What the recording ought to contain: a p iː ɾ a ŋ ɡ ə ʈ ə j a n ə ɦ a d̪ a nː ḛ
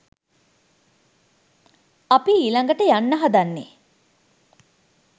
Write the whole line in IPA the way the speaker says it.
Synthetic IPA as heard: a p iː l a ŋ ɡ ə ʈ ə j a nː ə ɦ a d̪ a nː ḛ